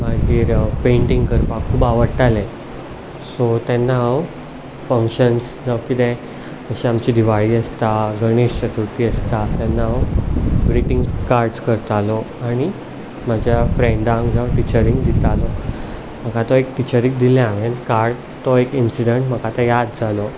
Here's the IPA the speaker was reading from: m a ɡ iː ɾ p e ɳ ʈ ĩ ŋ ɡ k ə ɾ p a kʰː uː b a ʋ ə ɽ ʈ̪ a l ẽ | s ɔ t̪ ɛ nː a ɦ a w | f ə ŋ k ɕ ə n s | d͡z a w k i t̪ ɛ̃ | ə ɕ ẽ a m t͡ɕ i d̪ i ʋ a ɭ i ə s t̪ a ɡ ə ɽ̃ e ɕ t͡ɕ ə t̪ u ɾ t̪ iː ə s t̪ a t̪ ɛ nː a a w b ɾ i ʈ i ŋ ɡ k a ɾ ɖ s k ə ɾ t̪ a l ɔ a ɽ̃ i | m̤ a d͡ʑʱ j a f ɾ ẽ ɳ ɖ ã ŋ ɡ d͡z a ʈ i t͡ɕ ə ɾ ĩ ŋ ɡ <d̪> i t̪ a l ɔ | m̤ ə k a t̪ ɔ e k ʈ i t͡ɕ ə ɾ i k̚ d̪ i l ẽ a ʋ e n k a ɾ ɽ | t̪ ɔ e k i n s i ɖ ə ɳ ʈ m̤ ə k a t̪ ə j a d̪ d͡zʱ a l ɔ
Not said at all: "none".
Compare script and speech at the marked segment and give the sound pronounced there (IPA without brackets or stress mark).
d̪